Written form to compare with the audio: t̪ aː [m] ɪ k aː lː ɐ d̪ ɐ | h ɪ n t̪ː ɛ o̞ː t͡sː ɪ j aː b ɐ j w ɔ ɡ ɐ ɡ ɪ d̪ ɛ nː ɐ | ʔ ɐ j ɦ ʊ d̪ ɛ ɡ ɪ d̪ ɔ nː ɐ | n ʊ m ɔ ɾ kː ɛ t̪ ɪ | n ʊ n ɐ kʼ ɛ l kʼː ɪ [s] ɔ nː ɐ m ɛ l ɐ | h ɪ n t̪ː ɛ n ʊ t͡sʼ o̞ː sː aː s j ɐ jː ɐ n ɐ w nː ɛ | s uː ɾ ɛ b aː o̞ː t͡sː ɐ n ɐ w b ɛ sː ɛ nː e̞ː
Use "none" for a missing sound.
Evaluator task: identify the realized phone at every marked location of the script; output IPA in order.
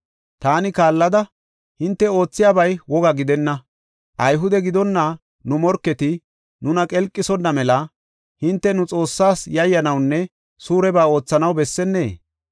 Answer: n, s

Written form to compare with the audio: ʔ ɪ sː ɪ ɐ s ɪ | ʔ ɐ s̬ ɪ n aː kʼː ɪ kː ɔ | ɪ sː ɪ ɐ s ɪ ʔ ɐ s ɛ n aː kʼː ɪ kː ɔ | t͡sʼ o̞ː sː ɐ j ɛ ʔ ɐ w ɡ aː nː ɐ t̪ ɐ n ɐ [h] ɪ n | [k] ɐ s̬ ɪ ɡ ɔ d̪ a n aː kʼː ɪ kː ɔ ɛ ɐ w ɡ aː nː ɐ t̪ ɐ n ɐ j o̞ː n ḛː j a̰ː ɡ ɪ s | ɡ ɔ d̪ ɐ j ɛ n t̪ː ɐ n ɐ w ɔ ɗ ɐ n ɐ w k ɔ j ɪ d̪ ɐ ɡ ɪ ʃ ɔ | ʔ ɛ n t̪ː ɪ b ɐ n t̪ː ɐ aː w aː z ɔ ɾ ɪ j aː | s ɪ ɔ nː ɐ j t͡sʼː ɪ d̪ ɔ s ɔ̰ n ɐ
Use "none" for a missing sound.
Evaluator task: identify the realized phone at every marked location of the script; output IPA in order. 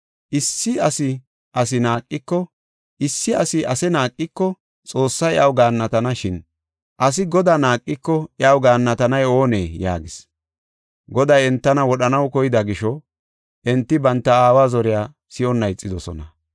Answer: ʃ, ʔ

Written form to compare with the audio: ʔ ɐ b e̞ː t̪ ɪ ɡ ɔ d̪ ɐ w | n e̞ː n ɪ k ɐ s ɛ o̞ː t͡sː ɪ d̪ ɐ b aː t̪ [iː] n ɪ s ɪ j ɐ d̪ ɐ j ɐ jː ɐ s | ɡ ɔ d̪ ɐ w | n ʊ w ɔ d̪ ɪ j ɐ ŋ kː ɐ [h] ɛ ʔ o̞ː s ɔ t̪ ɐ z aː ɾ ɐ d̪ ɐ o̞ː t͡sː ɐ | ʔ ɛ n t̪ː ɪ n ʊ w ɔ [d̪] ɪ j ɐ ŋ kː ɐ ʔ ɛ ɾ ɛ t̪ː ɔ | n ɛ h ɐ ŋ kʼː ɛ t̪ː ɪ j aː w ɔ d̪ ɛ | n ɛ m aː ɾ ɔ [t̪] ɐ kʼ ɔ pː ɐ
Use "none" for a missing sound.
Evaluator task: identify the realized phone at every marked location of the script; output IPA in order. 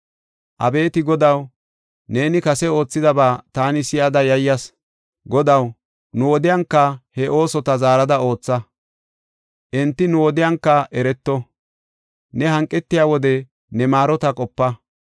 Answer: aː, h, d̪, t̪

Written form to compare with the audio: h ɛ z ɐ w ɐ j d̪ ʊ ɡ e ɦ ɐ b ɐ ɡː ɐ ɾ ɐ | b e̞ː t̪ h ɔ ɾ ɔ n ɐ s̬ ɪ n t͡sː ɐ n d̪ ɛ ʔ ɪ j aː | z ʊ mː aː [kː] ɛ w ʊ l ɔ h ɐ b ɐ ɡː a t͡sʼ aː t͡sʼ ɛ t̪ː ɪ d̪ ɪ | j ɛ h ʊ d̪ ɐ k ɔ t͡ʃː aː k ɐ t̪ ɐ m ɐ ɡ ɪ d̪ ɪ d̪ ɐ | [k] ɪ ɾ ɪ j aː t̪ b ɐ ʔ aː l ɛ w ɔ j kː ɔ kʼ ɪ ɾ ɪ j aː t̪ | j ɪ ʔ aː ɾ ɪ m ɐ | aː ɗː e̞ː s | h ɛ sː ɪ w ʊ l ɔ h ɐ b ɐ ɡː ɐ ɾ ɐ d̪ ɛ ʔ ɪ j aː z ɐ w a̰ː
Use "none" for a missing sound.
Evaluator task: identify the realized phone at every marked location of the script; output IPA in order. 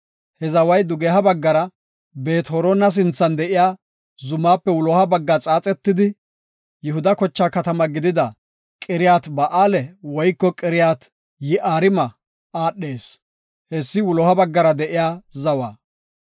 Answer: pː, kʼ

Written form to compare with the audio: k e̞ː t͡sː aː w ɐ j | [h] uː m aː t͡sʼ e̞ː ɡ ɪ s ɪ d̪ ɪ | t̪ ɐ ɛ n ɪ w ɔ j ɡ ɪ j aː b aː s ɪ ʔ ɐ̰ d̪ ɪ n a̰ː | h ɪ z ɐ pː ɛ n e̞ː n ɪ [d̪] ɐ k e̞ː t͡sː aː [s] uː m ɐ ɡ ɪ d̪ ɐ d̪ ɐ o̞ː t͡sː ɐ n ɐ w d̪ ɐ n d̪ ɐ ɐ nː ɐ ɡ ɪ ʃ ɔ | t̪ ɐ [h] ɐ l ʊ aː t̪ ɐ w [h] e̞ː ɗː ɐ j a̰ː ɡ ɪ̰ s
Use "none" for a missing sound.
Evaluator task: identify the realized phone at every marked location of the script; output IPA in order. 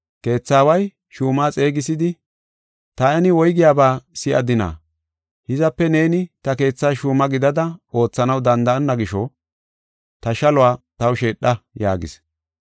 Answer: ʃ, t̪, ʃ, ʃ, ʃ

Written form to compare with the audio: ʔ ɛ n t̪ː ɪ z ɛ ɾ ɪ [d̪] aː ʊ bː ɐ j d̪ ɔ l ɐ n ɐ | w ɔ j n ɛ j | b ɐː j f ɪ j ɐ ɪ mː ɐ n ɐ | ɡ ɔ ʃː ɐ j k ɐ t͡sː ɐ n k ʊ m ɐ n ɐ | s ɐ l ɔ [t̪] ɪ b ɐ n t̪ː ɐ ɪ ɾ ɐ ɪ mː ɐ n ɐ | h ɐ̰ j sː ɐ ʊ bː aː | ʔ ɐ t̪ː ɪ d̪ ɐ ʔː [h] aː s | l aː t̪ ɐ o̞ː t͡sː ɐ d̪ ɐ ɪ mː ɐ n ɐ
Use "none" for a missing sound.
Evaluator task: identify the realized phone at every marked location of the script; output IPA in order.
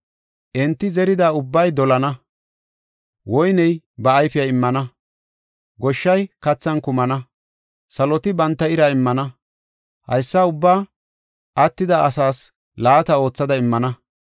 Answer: d̪, t̪, s

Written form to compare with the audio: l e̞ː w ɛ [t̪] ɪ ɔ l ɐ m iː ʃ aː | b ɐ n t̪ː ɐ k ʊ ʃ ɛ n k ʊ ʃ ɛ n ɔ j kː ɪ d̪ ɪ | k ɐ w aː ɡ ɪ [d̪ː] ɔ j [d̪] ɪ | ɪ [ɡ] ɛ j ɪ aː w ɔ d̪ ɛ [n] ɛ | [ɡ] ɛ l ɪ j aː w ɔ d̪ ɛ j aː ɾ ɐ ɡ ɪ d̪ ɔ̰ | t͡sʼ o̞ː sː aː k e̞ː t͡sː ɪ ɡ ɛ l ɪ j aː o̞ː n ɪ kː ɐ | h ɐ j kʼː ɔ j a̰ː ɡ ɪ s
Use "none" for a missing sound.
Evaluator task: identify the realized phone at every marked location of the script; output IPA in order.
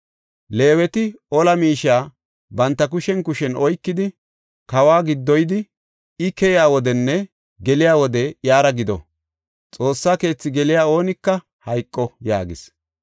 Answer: t̪, d̪ː, d̪, k, nː, ɡ

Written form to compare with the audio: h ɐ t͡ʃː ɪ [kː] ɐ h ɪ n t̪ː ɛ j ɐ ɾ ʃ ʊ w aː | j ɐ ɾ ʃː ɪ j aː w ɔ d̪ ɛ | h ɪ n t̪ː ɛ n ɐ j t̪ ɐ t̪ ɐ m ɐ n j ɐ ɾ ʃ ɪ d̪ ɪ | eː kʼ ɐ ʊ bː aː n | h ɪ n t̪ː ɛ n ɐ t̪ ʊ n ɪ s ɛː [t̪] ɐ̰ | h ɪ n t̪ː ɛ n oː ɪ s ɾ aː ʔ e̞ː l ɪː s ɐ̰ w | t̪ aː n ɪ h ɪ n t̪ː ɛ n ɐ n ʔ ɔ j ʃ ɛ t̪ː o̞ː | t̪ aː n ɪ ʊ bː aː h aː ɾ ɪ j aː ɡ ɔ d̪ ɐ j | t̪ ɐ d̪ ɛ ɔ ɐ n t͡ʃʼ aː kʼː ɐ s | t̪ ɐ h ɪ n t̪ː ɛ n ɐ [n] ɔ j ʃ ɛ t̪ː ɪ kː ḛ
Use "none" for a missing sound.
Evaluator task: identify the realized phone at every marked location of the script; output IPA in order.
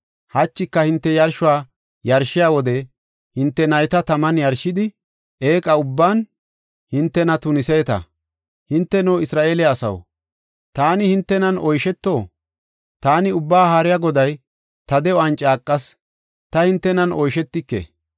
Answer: kː, t̪, n

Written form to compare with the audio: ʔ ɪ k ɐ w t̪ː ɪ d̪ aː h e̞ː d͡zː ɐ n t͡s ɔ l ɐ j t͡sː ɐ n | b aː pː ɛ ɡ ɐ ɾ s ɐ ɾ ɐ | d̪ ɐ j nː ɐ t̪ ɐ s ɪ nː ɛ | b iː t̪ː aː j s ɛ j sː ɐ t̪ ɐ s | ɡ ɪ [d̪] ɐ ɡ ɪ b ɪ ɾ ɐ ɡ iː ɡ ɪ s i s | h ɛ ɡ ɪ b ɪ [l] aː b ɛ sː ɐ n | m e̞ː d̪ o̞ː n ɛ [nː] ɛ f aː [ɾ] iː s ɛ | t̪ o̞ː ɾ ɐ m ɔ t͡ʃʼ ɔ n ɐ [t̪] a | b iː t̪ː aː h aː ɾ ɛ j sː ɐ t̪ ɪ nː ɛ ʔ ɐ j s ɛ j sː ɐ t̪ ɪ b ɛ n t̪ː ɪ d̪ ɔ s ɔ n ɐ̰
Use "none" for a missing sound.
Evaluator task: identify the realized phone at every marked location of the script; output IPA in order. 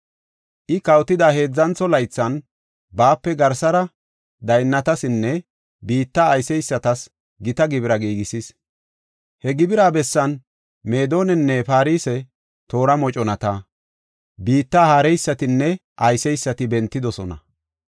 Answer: t̪, ɾ, nː, ɾ, t̪

